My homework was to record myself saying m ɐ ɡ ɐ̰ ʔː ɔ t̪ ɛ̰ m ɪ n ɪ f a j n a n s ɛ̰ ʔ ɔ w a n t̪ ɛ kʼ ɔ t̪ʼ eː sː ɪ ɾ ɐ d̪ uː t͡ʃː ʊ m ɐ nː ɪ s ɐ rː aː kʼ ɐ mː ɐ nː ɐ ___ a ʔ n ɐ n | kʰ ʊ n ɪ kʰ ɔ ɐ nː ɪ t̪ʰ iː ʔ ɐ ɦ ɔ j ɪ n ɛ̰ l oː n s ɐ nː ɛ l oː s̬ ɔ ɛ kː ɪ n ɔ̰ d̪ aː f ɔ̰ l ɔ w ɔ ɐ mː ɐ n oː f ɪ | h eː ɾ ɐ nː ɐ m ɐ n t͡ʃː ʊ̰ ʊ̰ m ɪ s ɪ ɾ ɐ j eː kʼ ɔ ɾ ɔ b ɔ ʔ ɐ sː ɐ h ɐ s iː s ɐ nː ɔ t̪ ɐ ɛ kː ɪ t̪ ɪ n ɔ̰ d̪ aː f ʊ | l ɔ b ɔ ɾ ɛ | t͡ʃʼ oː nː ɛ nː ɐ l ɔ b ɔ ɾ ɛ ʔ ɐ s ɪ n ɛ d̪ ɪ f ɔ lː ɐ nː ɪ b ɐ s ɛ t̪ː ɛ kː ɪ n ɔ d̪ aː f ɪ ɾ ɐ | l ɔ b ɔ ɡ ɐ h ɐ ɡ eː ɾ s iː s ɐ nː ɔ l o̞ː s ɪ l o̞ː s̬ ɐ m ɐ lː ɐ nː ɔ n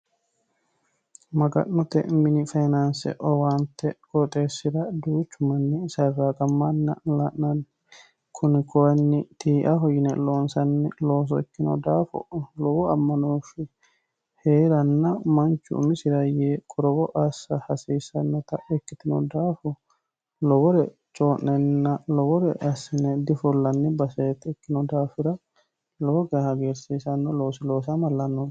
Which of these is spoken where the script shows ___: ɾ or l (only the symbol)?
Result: l